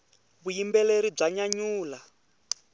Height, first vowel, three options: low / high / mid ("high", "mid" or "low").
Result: high